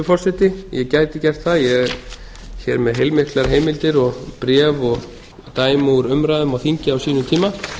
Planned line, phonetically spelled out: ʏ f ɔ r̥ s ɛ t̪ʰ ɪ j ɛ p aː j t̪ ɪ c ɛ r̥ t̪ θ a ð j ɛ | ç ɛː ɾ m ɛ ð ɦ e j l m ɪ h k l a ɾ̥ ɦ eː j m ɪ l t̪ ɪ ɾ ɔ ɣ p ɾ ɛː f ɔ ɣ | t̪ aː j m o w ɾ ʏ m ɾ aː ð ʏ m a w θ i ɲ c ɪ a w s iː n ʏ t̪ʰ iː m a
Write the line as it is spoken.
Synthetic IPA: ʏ f ɔ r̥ s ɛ t̪ ɪ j ɛ c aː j t̪ ɪ c ɛ r̥ t̪ θ a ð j ɛ | ç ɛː ɾ m ɛ ð ɦ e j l m ɪ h k l a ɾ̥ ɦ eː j m ɪ l t̪ ɪ ɾ ɔ ɣ p ɾ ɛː v ɔ ɣ | t̪ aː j m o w ɾ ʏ m ɾ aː ð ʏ m a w θ i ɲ c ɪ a w s iː n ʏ t̪ʰ iː m a